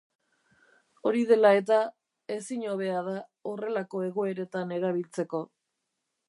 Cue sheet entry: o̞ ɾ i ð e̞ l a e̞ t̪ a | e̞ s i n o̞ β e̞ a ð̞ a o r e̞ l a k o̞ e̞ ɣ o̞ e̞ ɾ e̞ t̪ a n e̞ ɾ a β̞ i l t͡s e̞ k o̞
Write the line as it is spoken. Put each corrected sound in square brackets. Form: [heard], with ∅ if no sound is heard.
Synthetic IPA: o̞ ɾ i ð e̞ l a e̞ t̪ a | e̞ s i [ɲ] o̞ β e̞ a ð̞ a o r e̞ l a k o̞ e̞ ɣ o̞ e̞ ɾ e̞ t̪ a n e̞ ɾ a β̞ i l t͡s e̞ k o̞